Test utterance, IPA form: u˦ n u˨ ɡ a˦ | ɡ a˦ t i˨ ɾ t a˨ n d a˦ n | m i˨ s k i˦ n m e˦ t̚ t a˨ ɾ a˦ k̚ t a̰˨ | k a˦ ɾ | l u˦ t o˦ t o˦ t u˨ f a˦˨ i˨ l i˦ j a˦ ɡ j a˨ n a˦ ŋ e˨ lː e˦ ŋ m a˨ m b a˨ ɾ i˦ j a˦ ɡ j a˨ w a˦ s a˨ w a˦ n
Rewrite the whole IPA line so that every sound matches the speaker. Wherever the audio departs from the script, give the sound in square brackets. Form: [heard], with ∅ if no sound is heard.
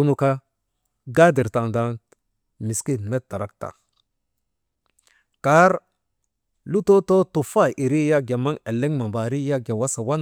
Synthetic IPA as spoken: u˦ n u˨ [k] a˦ | ɡ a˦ [d] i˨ ɾ t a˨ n d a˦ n | m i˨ s k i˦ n m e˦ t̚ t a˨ ɾ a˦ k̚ t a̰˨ | k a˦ ɾ | l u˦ t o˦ t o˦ t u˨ f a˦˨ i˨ [ɾ] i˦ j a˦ ɡ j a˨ [m] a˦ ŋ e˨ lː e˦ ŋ m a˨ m b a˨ ɾ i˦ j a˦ ɡ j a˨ w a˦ s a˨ w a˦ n